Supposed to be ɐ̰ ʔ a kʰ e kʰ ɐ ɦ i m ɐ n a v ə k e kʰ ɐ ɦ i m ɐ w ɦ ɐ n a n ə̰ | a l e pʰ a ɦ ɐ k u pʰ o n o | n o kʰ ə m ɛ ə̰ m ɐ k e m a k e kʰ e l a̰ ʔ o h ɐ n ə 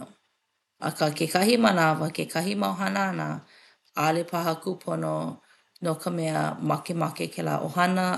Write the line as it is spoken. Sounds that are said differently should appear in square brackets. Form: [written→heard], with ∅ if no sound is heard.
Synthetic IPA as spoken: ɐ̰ [ʔ→k] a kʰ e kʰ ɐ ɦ i m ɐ n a v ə k e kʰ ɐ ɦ i m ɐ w ɦ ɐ n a n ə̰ | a l e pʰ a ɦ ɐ k u pʰ o n o | n o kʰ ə m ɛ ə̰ m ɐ k e m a k e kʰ e l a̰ ʔ o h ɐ n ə